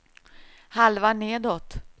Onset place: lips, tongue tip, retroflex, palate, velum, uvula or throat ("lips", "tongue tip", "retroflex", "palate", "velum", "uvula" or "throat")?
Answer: throat